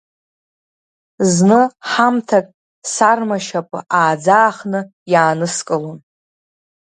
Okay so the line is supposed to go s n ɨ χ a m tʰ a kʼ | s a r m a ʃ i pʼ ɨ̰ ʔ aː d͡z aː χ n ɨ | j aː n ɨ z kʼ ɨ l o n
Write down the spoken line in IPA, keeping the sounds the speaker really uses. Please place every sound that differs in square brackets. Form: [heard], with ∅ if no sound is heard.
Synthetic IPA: [z] n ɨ [ħ] a m tʰ a kʼ | s a r m a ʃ [a] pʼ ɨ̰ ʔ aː d͡z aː χ n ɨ | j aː n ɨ [s] kʼ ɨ l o n

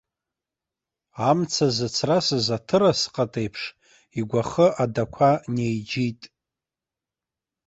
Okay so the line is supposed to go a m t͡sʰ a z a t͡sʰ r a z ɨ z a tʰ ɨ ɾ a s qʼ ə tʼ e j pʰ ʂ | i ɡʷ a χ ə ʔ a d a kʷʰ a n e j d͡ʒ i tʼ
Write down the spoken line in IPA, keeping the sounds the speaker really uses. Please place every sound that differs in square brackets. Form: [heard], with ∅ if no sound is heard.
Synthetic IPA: a m t͡sʰ a z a t͡sʰ r a [s] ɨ z a tʰ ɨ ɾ a s qʼ [a] tʼ e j pʰ ʂ | i ɡʷ a χ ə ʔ a d a kʷʰ a n e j d͡ʒ i tʼ

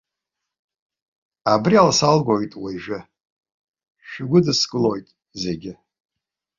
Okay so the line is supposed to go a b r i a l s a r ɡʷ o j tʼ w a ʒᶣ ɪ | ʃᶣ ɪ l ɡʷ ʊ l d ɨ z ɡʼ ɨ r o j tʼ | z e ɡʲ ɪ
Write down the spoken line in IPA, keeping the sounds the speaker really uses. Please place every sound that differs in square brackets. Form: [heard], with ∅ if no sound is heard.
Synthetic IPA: a b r i a l s a [l] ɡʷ o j tʼ w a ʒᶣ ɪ | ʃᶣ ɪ [∅] ɡʷ ʊ [∅] d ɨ [s] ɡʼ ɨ [l] o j tʼ | z e ɡʲ ɪ

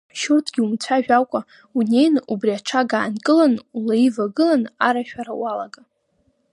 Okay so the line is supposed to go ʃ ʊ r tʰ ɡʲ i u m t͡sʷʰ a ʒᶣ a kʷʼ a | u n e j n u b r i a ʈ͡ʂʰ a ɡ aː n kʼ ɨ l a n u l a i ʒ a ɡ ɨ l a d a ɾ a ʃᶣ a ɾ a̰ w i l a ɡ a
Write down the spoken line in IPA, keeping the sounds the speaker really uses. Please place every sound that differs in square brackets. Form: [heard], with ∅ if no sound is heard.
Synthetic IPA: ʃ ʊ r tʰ ɡʲ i u m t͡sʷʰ a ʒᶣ a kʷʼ a | u n e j n u b r i a ʈ͡ʂʰ a ɡ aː n kʼ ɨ l a n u l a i [v] a ɡ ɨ l a [n] a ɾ a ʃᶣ a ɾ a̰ w [a] l a ɡ a

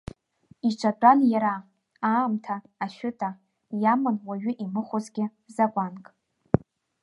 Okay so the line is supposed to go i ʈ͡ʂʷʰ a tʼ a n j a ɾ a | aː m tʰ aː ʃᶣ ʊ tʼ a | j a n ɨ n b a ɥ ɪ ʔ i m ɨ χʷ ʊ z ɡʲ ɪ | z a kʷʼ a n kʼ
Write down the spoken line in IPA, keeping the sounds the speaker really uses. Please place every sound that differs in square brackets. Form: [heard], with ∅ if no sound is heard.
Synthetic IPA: i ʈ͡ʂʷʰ a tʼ a n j a ɾ a | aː m tʰ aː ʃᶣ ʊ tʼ a | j a [m] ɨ n [w] a ɥ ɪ ʔ i m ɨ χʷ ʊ z ɡʲ ɪ | z a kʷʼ a n kʼ

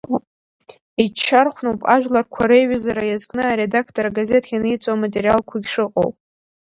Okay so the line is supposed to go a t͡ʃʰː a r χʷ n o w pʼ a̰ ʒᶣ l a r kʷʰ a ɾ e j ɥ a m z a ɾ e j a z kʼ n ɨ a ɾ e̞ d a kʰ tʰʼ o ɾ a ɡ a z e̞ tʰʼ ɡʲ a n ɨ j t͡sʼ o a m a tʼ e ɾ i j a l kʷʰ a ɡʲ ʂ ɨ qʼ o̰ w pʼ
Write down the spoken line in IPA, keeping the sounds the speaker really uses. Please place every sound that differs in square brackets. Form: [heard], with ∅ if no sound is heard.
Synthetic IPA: [i] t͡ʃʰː a r χʷ n o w pʼ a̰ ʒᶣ l a r kʷʰ a ɾ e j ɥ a [∅] z a ɾ [a] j a z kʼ n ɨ a ɾ e̞ d a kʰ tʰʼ o ɾ a ɡ a z e̞ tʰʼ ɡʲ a n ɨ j t͡sʼ o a m a tʼ e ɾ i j a l kʷʰ a ɡʲ ʂ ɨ qʼ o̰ w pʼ

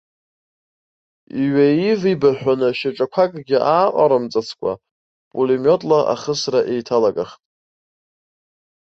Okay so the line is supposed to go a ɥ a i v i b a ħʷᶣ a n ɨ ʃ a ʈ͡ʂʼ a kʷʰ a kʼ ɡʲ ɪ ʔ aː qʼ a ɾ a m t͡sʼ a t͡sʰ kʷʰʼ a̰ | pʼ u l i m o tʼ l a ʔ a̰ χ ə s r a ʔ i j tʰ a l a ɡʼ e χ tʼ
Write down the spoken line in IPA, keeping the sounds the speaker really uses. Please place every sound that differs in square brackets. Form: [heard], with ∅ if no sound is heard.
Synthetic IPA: [i] ɥ a i v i b a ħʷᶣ a n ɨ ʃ a ʈ͡ʂʼ a kʷʰ a kʼ ɡʲ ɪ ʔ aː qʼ a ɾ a m t͡sʼ a t͡sʰ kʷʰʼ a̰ | pʼ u l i m o tʼ l a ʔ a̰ χ ə s r a ʔ [e] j tʰ a l a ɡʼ [a] χ tʼ

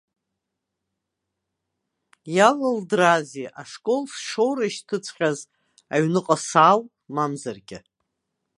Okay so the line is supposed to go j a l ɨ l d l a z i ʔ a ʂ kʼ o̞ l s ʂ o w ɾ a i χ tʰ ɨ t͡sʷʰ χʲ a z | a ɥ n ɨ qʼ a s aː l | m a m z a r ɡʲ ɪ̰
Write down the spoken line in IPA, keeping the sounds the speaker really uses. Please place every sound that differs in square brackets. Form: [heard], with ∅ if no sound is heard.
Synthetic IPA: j a l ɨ l d [r] a z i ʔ a ʂ kʼ o̞ l s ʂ o w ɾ a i [ʃ] tʰ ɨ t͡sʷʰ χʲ a z | a ɥ n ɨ qʼ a s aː l | m a m z a r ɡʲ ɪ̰

